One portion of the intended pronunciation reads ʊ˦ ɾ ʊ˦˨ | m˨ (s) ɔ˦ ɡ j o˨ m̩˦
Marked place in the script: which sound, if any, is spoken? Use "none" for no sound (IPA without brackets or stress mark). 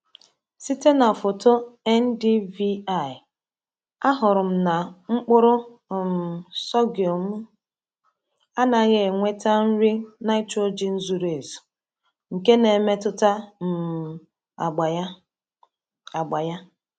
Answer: s